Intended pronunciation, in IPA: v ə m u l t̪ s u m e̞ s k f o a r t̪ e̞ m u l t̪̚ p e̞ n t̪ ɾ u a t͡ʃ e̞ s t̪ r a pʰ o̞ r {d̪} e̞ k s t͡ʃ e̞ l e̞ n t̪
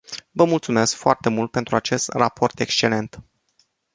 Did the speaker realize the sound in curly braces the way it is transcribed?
no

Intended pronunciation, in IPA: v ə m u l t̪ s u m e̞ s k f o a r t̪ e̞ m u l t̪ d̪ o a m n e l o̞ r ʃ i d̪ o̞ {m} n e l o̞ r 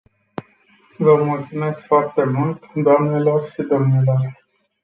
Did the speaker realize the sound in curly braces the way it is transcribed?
yes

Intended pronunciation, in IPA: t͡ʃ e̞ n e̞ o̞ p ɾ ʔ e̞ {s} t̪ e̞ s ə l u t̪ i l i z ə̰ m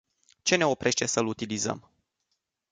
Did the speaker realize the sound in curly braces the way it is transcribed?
no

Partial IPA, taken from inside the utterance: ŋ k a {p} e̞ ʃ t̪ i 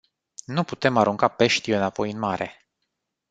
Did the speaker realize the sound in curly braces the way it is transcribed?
yes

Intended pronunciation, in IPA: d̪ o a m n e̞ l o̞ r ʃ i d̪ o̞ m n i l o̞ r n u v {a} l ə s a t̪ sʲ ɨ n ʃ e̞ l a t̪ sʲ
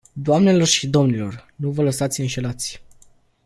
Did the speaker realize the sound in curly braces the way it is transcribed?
no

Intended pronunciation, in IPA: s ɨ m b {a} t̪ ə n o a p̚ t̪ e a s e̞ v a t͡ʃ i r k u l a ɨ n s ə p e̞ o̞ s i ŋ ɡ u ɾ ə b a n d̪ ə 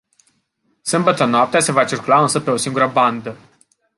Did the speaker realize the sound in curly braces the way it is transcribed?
no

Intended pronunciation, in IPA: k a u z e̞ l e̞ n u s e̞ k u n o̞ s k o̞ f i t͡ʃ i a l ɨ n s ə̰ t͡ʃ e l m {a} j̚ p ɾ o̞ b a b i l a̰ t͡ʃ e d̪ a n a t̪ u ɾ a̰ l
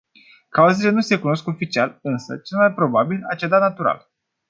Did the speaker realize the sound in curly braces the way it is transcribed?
yes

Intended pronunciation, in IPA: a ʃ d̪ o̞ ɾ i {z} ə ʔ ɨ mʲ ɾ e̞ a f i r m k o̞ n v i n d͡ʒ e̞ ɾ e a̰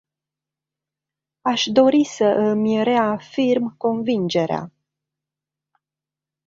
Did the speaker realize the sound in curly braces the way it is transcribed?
no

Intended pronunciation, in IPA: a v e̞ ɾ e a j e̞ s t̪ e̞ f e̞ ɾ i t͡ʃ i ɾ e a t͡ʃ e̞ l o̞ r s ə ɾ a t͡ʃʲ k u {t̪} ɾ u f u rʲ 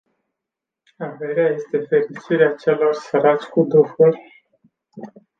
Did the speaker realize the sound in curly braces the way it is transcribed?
no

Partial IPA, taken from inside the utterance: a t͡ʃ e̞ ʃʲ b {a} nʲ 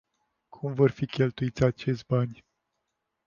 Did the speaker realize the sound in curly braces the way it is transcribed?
yes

